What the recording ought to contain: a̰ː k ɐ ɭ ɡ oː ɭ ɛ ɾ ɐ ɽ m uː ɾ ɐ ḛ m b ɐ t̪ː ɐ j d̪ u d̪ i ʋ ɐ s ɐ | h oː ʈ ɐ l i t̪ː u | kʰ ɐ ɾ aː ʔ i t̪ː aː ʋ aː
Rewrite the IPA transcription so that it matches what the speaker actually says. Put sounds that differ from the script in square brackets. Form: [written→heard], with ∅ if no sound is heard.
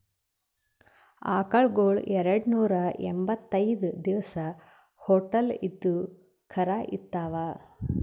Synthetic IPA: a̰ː k ɐ ɭ ɡ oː ɭ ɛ ɾ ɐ ɽ [m→n] uː ɾ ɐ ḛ m b ɐ t̪ː ɐ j d̪ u d̪ i ʋ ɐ s ɐ | h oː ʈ ɐ l i [t̪ː→d̪ː] u | kʰ ɐ ɾ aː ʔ i t̪ː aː ʋ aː

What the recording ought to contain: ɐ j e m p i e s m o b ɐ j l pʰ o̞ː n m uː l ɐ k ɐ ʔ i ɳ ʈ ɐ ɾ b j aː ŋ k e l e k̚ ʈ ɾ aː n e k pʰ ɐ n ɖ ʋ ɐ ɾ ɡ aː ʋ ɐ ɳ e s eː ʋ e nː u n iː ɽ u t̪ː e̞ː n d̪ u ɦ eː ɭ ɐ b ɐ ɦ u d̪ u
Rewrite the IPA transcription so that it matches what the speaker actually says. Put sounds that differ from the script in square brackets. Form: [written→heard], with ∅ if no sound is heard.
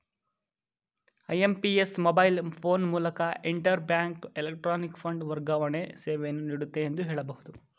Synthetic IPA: ɐ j e m p i e s m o b ɐ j l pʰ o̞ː n m uː l ɐ k ɐ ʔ i ɳ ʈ ɐ ɾ b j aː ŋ k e l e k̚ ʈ ɾ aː n [e→i] k pʰ ɐ [n→ɳ] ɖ ʋ ɐ ɾ ɡ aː ʋ ɐ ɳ e s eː ʋ e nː u n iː ɽ u t̪ː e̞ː n d̪ u ɦ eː ɭ ɐ b ɐ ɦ u d̪ u

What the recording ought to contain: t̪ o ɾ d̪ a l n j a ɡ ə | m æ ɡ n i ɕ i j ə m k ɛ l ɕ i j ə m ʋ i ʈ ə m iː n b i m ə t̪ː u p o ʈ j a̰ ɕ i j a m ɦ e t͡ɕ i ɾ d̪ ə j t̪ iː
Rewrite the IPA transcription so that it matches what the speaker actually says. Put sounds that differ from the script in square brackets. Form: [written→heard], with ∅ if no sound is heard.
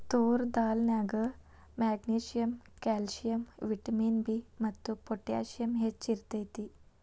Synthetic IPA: t̪ o ɾ d̪ a l n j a ɡ ə | m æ ɡ n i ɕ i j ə m k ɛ l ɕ i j ə m ʋ i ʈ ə m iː n b i m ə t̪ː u p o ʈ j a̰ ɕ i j [a→ə] m ɦ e t͡ɕ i ɾ [d̪→t̪] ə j t̪ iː

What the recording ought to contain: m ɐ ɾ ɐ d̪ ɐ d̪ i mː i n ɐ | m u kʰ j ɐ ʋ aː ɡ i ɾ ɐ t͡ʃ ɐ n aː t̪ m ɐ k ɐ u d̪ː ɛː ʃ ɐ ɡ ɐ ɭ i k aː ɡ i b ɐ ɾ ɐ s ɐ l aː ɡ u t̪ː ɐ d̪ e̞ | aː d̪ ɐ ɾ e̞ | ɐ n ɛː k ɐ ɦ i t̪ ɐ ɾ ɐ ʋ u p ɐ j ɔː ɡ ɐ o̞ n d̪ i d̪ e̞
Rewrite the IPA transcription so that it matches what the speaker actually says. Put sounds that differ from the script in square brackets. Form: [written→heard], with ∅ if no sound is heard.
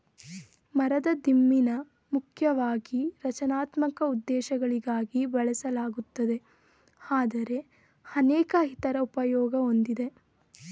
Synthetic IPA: m ɐ ɾ ɐ d̪ ɐ d̪ i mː i n ɐ | m u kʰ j ɐ ʋ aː ɡ i ɾ ɐ t͡ʃ ɐ n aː t̪ m ɐ k ɐ u d̪ː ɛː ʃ ɐ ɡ ɐ ɭ i [k→ɡ] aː ɡ i b ɐ [ɾ→ɭ] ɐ s ɐ l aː ɡ u t̪ː ɐ d̪ e̞ | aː d̪ ɐ ɾ e̞ | ɐ n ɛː k ɐ ɦ i t̪ ɐ ɾ ɐ [ʋ→∅] u p ɐ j ɔː ɡ ɐ o̞ n d̪ i d̪ e̞

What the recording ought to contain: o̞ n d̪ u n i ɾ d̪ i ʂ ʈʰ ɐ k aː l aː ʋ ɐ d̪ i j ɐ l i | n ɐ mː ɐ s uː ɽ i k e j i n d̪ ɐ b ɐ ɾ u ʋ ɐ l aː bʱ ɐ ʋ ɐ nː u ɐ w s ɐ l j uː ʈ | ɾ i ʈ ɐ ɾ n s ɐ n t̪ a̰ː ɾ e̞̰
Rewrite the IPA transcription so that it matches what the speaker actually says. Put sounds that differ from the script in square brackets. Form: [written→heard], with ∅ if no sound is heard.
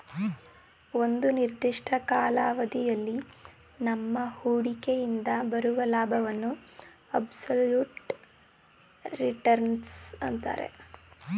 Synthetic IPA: o̞ n d̪ u n i ɾ d̪ i ʂ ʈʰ ɐ k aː l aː ʋ ɐ d̪ i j ɐ [l→lː] i | n ɐ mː ɐ [s→h] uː ɽ i k e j i n d̪ ɐ b ɐ ɾ u ʋ ɐ l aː bʱ ɐ ʋ ɐ nː u ɐ [w→b] s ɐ l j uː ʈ | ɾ i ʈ ɐ ɾ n s ɐ n t̪ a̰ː ɾ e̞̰

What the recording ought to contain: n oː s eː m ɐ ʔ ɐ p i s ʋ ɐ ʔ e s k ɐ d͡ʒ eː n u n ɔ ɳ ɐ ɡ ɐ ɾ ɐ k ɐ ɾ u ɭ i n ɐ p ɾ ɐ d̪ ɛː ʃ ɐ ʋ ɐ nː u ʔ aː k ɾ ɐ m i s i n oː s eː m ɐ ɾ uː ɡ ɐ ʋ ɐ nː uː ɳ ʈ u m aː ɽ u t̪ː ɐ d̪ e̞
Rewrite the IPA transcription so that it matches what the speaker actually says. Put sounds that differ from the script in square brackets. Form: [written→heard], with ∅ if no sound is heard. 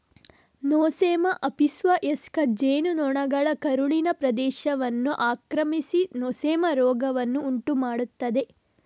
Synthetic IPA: n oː s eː m ɐ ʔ ɐ p i s ʋ ɐ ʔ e s k ɐ d͡ʒ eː n u n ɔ ɳ ɐ ɡ ɐ [ɾ→ɭ] ɐ k ɐ ɾ u ɭ i n ɐ p ɾ ɐ d̪ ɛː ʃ ɐ ʋ ɐ nː u ʔ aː k ɾ ɐ m i s i n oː s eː m ɐ ɾ [uː→ɔː] ɡ ɐ ʋ ɐ nː uː ɳ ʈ u m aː ɽ u t̪ː ɐ d̪ e̞

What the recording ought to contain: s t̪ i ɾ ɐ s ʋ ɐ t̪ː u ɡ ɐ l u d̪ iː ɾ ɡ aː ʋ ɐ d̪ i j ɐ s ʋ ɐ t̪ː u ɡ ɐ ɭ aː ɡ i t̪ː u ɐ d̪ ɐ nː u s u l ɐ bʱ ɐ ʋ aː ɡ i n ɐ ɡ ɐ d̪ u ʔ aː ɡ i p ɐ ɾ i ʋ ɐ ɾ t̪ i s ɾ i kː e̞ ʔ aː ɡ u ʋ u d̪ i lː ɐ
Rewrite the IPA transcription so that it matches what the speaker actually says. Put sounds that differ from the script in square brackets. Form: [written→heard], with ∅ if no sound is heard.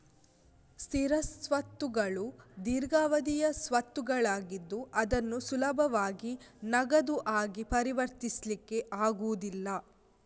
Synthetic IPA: s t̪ i ɾ ɐ s ʋ ɐ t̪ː u ɡ ɐ [l→ɭ] u d̪ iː ɾ ɡ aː ʋ ɐ d̪ i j ɐ s ʋ ɐ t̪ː u ɡ ɐ ɭ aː ɡ i [t̪ː→d̪ː] u ɐ d̪ ɐ nː u s u l ɐ bʱ ɐ ʋ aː ɡ i n ɐ ɡ ɐ d̪ u ʔ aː ɡ i p ɐ ɾ i ʋ ɐ ɾ t̪ i s [ɾ→l] i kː e̞ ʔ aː ɡ u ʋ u d̪ i lː ɐ

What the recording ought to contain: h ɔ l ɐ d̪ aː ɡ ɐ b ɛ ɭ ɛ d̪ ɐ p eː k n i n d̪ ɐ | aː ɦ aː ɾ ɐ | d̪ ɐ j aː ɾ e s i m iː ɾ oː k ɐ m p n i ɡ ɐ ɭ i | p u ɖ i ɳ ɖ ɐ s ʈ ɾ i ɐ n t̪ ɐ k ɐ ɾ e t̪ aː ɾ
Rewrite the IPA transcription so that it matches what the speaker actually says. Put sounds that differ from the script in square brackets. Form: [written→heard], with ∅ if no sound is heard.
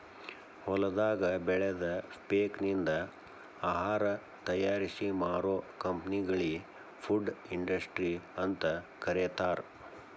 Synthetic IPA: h ɔ l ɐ d̪ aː ɡ ɐ b ɛ ɭ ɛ d̪ ɐ p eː k n i n d̪ ɐ | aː ɦ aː ɾ ɐ | [d̪→t̪] ɐ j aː ɾ [e→i] s i m [iː→aː] ɾ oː k ɐ m p n i ɡ ɐ ɭ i | [p→pʰ] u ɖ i ɳ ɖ ɐ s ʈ ɾ i ɐ n t̪ ɐ k ɐ ɾ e t̪ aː ɾ

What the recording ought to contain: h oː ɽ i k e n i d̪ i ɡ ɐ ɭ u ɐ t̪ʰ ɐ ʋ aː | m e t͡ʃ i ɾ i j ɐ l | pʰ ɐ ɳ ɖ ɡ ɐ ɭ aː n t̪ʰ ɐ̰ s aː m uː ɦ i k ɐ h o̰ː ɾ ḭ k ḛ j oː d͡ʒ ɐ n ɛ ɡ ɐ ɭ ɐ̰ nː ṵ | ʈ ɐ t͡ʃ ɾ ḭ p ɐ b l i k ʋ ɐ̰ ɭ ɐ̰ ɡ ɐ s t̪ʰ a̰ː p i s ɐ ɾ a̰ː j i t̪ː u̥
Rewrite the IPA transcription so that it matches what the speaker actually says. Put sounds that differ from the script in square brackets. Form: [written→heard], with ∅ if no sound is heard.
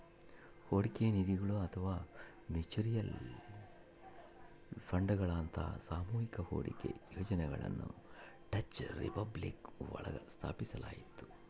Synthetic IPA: h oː ɽ i k e n i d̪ i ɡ ɐ ɭ u ɐ t̪ʰ ɐ ʋ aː | m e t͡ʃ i ɾ i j ɐ l | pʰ ɐ ɳ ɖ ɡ ɐ ɭ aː n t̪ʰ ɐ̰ s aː m uː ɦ i k ɐ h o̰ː [ɾ→ɽ] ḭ k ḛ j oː d͡ʒ ɐ n ɛ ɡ ɐ ɭ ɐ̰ nː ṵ | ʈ ɐ t͡ʃ ɾ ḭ p ɐ b l i k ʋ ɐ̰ ɭ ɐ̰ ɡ ɐ s t̪ʰ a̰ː p i s ɐ [ɾ→l] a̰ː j i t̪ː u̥

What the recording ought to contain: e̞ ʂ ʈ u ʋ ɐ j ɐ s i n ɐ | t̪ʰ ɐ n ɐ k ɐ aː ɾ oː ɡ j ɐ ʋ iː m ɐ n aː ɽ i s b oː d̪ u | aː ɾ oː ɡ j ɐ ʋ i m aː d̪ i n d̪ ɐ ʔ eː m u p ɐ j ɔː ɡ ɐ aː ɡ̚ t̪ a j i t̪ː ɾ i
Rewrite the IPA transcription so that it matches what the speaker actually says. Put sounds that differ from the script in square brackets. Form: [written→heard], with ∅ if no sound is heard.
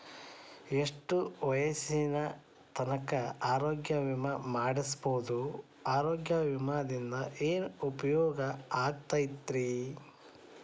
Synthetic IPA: e̞ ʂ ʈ u ʋ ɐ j ɐ s i n ɐ | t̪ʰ ɐ n ɐ k ɐ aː ɾ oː ɡ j ɐ ʋ [iː→i] m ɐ [n→m] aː ɽ i s b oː d̪ u | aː ɾ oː ɡ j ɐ ʋ i m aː d̪ i n d̪ ɐ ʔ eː [m→n] u p ɐ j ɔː ɡ ɐ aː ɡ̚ t̪ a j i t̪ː ɾ i

